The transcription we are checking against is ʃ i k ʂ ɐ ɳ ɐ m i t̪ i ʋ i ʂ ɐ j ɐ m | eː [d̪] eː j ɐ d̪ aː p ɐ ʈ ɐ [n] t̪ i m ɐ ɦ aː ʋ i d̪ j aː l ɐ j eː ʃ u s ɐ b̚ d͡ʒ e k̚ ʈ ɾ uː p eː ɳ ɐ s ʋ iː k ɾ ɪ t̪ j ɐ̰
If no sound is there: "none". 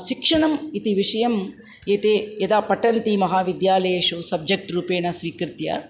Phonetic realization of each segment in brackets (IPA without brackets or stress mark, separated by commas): t̪, n